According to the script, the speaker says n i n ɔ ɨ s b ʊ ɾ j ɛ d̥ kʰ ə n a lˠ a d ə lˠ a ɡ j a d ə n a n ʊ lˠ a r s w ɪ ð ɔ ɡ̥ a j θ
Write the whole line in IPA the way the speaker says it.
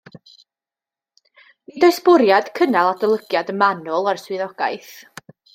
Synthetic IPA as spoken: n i d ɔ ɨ s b ʊ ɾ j a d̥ kʰ ə n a lˠ a d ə lˠ ə ɡ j a d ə m a n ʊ lˠ a r s w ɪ ð ɔ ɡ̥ a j θ